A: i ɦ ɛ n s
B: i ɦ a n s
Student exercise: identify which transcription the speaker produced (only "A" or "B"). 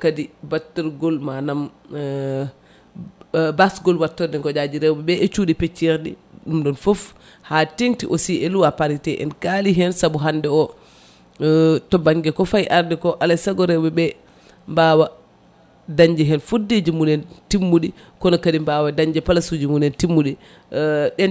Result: A